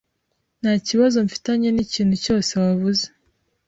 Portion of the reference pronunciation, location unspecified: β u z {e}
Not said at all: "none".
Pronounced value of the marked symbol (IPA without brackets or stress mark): e